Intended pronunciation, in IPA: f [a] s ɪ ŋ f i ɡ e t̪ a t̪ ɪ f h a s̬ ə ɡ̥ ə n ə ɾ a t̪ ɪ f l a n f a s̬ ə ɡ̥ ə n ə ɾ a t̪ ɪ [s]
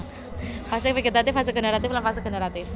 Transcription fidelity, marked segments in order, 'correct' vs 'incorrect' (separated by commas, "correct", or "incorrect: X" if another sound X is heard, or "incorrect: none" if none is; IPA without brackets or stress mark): correct, incorrect: f